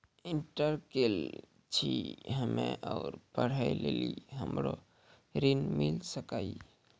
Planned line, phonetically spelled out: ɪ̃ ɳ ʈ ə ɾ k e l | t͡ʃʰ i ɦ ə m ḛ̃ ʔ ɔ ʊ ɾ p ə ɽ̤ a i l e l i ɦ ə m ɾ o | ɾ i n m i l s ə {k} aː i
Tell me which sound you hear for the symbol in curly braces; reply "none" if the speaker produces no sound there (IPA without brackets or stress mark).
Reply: k